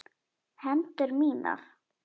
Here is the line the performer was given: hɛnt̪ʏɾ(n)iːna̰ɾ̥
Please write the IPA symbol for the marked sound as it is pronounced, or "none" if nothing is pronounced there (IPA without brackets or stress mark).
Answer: m